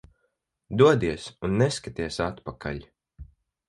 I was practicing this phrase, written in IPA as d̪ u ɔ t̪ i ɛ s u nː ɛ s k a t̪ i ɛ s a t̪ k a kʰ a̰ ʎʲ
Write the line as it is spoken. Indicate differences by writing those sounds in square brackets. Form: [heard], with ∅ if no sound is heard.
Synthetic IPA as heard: d̪ u ɔ [d̪] i ɛ s u nː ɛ s k a t̪ i ɛ s a t̪ [p] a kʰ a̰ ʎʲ